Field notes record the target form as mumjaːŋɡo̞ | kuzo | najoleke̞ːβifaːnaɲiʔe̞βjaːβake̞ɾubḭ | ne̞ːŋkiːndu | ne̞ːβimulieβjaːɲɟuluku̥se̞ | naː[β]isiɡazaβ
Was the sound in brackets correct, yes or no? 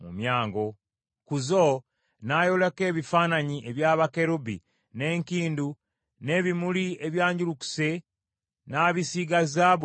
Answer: yes